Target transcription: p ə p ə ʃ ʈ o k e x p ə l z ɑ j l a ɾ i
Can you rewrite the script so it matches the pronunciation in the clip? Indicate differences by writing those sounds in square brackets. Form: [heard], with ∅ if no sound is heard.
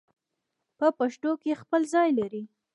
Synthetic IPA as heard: p ə p [a] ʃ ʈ o k e x p ə l z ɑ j l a ɾ i